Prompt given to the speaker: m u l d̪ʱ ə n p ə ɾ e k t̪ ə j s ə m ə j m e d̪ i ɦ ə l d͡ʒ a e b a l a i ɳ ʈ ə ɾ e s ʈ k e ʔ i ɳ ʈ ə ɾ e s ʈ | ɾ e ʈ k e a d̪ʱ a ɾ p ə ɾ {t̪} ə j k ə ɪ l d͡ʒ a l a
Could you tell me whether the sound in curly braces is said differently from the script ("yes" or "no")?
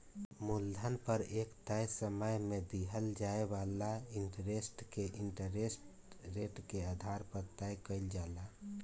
no